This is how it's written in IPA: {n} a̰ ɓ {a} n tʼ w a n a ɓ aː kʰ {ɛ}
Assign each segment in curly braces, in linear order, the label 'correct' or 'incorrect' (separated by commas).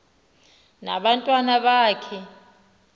correct, correct, correct